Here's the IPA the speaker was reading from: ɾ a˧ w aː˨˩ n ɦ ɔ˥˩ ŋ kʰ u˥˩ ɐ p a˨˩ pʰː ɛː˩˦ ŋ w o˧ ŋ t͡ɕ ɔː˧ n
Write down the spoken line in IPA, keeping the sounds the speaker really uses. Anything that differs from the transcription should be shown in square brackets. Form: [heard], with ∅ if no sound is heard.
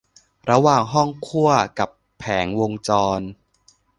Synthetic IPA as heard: ɾ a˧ w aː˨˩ [ŋ] ɦ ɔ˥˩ ŋ kʰ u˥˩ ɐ [k] a˨˩ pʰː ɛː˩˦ ŋ w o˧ ŋ t͡ɕ ɔː˧ n